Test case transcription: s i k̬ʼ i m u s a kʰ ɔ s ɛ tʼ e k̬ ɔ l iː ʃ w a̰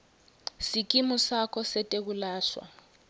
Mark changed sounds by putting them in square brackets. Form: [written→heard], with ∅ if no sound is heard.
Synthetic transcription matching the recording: s i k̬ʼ i m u s a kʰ ɔ s ɛ tʼ e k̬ [ɔ→u] l [iː→aː] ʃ w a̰